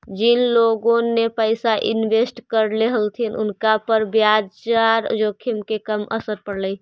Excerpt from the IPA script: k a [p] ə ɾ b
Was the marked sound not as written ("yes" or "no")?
no